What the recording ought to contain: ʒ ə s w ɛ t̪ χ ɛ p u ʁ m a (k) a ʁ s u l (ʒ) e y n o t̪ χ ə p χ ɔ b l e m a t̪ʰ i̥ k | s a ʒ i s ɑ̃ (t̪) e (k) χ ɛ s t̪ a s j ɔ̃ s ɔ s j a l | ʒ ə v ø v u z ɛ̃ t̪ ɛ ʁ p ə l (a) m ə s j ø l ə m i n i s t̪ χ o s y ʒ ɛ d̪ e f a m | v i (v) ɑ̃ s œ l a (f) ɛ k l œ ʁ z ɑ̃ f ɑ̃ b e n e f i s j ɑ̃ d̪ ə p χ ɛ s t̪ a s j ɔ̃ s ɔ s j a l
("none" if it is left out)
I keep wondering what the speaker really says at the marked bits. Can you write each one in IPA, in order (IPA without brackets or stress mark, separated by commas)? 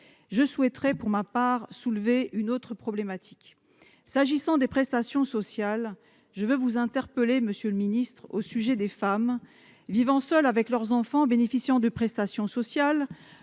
p, v, d̪, p, e, v, v